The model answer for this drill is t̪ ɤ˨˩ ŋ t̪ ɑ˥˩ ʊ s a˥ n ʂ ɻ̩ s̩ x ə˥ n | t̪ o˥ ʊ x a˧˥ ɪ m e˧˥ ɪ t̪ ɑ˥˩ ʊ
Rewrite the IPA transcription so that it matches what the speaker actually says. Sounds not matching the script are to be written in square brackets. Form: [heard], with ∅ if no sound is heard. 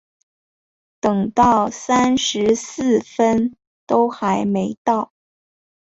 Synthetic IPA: t̪ ɤ˨˩ ŋ t̪ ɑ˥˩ ʊ s a˥ n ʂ ɻ̩ s̩ [f] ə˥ n | t̪ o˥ ʊ x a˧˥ ɪ m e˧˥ ɪ t̪ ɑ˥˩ ʊ